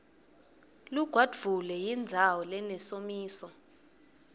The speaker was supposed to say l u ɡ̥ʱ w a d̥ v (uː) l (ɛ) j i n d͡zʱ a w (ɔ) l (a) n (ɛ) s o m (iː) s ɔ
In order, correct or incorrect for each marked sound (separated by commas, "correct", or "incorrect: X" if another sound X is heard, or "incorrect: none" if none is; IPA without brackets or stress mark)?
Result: incorrect: u, correct, correct, incorrect: ɛ, correct, correct